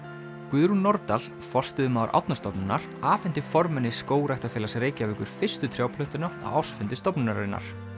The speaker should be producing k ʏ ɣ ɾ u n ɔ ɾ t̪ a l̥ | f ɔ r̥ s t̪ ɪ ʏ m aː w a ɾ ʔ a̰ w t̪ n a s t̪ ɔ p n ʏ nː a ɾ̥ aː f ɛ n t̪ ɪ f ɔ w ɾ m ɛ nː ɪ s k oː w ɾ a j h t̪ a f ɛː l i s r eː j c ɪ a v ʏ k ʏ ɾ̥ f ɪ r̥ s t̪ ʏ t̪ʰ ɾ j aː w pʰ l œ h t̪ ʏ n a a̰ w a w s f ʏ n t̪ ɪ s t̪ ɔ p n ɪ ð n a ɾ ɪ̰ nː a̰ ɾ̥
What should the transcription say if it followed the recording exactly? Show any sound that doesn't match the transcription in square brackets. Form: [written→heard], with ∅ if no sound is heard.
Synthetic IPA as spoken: k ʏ [ɣ→ð] ɾ u n ɔ ɾ t̪ a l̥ | f ɔ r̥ s t̪ ɪ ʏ m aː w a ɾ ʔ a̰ w t̪ n a s t̪ ɔ p n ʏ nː a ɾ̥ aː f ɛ n t̪ ɪ f ɔ [w→∅] ɾ m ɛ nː ɪ s k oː w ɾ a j h t̪ a f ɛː l [i→a] s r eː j c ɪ a v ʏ k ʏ ɾ̥ f ɪ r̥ s t̪ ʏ t̪ʰ ɾ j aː w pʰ l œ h t̪ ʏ n a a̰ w a w s f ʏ n t̪ ɪ s t̪ ɔ p n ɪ [ð→∅] n a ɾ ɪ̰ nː a̰ ɾ̥